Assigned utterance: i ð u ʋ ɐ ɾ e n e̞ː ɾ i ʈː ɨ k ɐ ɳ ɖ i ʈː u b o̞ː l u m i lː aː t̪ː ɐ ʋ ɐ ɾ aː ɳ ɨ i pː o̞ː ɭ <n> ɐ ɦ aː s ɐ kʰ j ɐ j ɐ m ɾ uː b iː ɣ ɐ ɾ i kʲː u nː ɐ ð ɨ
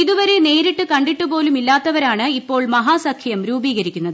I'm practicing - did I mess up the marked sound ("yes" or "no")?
yes